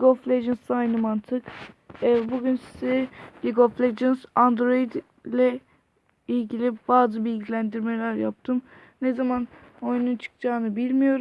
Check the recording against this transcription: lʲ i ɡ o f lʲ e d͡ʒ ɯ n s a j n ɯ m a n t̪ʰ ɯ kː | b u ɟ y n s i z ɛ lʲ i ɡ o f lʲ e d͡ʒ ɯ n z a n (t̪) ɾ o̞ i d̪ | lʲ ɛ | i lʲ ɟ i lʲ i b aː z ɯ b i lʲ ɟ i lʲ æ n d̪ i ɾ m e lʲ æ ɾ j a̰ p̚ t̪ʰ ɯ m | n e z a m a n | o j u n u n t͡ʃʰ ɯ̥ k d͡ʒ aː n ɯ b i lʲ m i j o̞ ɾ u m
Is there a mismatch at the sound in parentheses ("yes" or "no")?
yes